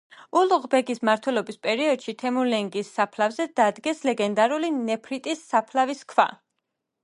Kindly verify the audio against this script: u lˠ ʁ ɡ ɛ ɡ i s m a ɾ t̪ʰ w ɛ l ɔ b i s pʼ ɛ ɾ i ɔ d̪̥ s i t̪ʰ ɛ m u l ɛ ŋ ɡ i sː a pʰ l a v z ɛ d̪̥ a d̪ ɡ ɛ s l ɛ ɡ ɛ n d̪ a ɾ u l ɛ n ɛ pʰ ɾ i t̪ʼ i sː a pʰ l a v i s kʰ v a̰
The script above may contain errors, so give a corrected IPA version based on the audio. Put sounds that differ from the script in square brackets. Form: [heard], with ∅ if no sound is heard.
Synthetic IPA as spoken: u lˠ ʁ [b] ɛ ɡ i s m a ɾ t̪ʰ w ɛ l ɔ b i s pʼ ɛ ɾ i ɔ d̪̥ [ʃ] i t̪ʰ ɛ m u l ɛ ŋ ɡ i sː a pʰ l a v z ɛ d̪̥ a d̪ ɡ ɛ s l ɛ ɡ ɛ n d̪ a ɾ u l [i] n ɛ pʰ ɾ i t̪ʼ i sː a pʰ l a v i s kʰ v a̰